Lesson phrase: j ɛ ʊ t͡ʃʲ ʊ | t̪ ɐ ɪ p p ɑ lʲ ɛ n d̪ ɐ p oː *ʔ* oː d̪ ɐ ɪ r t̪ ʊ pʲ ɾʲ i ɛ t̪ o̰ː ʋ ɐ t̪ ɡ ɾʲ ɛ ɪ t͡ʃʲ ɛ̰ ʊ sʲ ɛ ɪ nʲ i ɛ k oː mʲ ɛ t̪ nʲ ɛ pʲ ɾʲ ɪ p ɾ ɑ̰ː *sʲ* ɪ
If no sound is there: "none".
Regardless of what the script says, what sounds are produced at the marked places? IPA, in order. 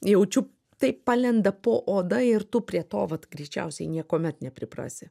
ʔ, sʲ

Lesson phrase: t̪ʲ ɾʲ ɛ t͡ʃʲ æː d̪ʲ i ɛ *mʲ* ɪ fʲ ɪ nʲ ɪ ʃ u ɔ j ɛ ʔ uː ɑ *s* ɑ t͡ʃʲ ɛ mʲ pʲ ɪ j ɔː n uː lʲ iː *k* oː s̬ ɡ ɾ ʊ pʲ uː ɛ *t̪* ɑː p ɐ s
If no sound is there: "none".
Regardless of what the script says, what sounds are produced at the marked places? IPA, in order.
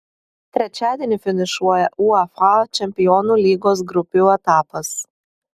nʲ, f, ɡ, t̪

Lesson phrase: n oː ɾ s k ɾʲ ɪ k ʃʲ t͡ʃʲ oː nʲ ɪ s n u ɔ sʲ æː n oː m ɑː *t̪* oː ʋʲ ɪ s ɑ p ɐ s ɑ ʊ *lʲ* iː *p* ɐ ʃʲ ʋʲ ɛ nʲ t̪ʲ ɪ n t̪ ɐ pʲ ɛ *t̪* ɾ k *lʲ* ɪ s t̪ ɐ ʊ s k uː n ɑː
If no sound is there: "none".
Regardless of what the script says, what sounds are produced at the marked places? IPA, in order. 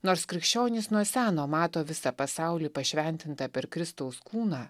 t̪, lʲ, p, none, ɾʲ

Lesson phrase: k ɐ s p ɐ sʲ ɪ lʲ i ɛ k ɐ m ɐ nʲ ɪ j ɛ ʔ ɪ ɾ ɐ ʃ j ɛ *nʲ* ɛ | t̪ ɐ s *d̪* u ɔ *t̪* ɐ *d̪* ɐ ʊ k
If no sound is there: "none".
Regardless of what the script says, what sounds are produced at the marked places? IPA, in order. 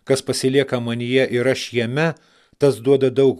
mʲ, d̪, d̪, d̪

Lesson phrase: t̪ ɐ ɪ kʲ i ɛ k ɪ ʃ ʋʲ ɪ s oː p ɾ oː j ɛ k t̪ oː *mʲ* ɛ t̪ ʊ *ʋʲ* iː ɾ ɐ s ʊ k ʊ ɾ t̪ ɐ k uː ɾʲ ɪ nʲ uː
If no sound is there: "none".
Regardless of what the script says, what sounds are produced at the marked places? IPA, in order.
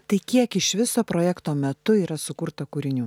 mʲ, none

